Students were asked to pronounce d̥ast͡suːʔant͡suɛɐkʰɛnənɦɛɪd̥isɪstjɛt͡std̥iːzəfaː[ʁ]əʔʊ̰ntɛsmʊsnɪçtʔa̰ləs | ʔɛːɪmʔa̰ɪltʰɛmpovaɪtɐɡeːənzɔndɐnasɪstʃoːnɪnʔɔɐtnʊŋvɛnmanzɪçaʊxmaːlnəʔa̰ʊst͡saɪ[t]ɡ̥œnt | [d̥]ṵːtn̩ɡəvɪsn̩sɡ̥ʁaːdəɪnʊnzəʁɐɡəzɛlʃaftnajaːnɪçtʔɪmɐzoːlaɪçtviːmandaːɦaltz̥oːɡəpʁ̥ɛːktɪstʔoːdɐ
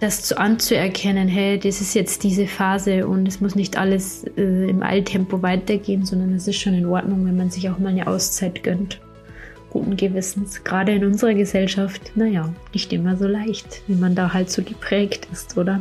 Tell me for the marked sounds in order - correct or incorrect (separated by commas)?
incorrect, correct, incorrect